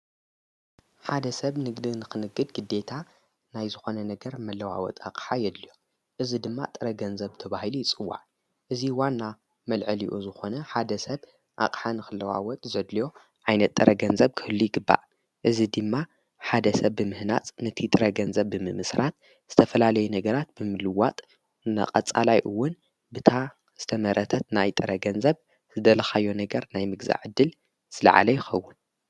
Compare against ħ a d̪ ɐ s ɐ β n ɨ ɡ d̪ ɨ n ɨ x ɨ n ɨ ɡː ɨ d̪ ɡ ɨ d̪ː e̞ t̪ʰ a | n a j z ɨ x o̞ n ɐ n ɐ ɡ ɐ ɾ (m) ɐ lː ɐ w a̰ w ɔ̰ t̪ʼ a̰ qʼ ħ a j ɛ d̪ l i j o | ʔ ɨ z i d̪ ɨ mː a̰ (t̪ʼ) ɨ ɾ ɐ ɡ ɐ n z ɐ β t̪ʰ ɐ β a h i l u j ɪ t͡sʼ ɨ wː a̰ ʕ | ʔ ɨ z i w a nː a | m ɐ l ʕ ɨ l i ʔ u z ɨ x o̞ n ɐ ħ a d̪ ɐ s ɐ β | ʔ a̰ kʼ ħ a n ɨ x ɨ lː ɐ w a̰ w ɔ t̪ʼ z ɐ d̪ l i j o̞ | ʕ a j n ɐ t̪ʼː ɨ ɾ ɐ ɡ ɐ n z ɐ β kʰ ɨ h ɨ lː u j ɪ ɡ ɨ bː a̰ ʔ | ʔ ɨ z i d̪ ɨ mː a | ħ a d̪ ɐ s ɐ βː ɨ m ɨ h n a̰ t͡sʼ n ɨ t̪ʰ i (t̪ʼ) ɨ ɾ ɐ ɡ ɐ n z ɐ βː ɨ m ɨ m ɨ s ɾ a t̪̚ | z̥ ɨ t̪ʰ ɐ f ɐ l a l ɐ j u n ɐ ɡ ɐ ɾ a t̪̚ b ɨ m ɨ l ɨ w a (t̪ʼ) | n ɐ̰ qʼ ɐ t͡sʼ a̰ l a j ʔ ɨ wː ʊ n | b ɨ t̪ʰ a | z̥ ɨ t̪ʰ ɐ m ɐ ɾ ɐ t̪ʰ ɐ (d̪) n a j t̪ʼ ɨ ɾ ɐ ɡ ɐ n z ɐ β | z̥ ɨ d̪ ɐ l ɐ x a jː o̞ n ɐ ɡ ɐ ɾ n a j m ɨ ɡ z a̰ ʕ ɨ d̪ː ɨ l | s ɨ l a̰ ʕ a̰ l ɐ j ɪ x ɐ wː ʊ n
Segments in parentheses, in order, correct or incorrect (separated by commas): correct, correct, correct, correct, incorrect